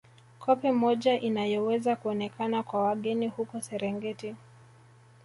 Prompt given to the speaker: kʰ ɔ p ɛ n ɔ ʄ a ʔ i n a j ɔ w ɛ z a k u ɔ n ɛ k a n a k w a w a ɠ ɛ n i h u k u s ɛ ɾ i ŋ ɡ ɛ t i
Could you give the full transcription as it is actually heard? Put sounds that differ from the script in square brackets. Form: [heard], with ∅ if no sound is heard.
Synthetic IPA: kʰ ɔ p ɛ [m] ɔ ʄ a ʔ i n a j ɔ w ɛ z a k u ɔ n ɛ k a n a k w a w a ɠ ɛ n i h u k [ɔ] s ɛ ɾ [ɛ] ŋ ɡ ɛ t i